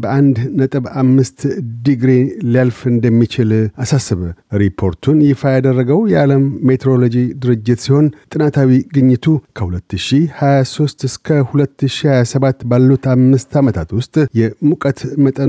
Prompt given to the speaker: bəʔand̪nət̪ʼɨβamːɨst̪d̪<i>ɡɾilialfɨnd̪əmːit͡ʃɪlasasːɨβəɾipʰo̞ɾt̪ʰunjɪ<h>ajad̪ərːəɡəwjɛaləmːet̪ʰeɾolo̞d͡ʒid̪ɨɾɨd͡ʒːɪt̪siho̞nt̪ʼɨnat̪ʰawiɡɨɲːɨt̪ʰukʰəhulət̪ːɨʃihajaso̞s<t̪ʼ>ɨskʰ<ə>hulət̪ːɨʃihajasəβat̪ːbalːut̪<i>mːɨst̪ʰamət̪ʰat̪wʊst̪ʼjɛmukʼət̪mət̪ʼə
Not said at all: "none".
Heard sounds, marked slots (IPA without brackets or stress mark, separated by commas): i, f, t̪, ə, a